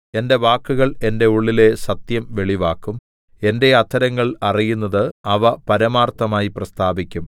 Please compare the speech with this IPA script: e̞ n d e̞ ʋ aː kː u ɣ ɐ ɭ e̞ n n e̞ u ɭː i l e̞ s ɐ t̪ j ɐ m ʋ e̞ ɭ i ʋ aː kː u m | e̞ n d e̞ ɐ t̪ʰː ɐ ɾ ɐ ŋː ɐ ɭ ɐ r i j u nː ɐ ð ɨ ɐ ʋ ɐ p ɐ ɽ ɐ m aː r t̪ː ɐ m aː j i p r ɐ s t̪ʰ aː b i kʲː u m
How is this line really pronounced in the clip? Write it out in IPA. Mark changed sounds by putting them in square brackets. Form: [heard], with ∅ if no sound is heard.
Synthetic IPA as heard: e̞ n d e̞ ʋ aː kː u ɣ ɐ ɭ e̞ n [d] e̞ u ɭː i l e̞ s ɐ t̪ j ɐ m ʋ e̞ ɭ i ʋ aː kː u m | e̞ n d e̞ ɐ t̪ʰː ɐ ɾ ɐ ŋː ɐ ɭ ɐ r i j u nː ɐ ð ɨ ɐ ʋ ɐ p ɐ [ɾ] ɐ m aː r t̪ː ɐ m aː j i p r ɐ s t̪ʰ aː b i kʲː u m